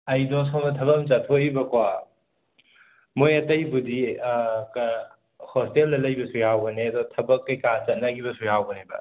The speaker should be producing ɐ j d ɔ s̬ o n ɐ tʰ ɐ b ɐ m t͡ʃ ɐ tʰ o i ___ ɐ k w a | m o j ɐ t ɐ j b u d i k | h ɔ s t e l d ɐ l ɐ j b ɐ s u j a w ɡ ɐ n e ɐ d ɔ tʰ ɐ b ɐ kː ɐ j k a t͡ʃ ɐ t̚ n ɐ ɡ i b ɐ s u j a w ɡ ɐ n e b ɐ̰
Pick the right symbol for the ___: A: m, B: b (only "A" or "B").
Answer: B